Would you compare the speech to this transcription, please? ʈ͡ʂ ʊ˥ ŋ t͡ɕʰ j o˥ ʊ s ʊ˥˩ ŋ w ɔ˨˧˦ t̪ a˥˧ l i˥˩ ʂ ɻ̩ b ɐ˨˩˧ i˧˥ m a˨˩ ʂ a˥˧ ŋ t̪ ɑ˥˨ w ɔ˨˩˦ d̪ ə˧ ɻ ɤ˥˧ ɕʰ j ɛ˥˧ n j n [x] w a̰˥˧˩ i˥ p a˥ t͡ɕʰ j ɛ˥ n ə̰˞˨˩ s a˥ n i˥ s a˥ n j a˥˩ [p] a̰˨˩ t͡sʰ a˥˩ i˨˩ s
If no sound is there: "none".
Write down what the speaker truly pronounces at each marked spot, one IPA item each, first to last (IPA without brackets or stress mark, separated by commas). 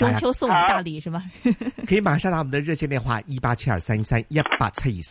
x, p